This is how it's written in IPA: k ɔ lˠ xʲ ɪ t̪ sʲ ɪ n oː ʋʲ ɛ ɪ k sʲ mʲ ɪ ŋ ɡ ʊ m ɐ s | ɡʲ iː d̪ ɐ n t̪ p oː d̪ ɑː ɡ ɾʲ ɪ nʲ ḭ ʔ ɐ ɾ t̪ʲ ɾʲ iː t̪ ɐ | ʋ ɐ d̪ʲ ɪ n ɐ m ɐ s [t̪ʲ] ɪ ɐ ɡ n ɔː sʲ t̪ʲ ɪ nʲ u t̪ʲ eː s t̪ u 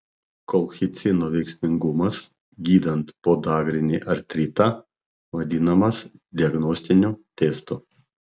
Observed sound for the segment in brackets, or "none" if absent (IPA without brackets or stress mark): d̪ʲ